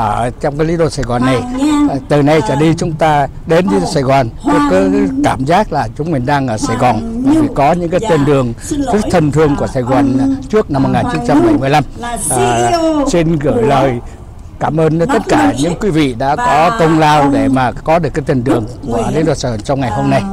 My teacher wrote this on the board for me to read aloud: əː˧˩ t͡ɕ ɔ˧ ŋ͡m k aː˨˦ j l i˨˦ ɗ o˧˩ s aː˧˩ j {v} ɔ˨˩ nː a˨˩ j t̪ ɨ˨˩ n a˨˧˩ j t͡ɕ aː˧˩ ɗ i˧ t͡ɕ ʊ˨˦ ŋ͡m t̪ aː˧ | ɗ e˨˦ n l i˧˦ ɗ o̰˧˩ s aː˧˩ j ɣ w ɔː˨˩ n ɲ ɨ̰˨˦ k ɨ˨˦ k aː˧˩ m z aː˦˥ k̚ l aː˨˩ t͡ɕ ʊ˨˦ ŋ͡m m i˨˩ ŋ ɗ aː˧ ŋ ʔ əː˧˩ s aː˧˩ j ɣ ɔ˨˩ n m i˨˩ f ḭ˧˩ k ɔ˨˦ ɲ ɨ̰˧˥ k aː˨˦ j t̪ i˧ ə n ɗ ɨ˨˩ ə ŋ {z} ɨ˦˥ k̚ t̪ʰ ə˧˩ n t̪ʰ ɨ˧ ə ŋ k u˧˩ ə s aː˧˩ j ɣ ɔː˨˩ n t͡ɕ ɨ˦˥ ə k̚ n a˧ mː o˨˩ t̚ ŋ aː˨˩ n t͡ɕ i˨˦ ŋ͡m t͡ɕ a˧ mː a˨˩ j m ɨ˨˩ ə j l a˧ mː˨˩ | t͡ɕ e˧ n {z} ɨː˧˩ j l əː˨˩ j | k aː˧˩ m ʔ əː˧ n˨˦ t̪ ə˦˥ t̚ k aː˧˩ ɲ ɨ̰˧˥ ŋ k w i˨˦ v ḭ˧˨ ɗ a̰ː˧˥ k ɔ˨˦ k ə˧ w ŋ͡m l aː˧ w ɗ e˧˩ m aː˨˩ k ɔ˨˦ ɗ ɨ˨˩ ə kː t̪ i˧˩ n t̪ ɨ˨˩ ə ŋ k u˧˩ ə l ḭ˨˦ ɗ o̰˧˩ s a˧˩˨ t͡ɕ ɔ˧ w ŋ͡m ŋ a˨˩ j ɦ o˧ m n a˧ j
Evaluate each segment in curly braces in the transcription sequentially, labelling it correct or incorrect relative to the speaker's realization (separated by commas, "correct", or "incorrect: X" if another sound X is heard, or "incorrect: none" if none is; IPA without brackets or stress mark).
incorrect: ɣ, correct, incorrect: ɣ